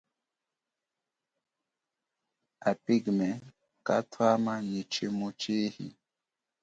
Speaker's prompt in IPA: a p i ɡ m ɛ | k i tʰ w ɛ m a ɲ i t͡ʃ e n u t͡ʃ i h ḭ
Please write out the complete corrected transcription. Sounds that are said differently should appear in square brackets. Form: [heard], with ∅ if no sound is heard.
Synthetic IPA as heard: a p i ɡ m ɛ | k [a] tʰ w [a] m a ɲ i t͡ʃ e [m] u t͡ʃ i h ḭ